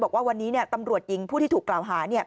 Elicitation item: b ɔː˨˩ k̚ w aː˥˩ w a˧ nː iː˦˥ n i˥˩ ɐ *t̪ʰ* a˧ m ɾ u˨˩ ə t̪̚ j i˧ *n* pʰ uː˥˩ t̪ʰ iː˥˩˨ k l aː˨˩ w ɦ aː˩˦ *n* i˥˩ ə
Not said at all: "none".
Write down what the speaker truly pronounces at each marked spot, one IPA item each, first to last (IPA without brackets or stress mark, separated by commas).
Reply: t̪, ŋ, n